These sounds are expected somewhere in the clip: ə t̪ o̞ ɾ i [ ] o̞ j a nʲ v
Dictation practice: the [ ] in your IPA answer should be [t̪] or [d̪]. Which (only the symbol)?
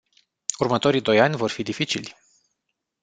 d̪